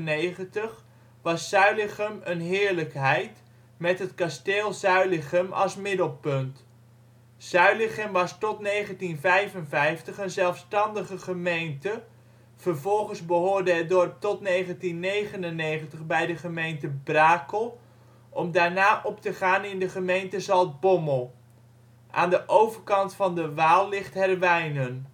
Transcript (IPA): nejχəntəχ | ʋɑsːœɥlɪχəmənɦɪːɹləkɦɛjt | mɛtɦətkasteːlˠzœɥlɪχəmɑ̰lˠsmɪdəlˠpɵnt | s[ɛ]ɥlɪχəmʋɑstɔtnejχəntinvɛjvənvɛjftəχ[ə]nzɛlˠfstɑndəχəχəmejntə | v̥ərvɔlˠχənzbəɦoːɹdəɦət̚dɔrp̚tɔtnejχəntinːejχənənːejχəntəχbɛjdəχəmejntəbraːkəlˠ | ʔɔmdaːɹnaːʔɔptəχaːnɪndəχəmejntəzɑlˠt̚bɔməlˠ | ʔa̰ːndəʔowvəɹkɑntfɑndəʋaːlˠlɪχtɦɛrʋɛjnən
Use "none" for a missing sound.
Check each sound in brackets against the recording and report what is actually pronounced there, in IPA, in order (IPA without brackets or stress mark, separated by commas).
œ, ə